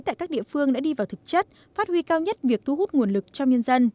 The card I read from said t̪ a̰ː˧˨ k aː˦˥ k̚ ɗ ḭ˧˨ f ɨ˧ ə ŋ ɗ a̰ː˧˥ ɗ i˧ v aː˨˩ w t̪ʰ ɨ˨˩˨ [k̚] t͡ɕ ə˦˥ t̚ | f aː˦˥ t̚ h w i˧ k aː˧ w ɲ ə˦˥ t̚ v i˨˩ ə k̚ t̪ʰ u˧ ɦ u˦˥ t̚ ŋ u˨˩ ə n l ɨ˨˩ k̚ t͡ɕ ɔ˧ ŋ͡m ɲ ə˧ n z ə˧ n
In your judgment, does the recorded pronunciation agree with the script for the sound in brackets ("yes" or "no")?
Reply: yes